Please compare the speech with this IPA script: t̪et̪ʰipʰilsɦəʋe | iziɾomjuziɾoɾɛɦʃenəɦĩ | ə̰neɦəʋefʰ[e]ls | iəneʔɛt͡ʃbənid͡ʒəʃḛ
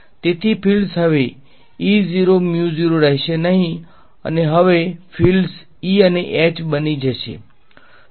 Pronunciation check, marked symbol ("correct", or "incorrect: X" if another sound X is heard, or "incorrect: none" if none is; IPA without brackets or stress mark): incorrect: i